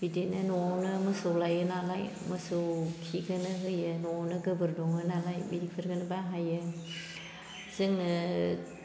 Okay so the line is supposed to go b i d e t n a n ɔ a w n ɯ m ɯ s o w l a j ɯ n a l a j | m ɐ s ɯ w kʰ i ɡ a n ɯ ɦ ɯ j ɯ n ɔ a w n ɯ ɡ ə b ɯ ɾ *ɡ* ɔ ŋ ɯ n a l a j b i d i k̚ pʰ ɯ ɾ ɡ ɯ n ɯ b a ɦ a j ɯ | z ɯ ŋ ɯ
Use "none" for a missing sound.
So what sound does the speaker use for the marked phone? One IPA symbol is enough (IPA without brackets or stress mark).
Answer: d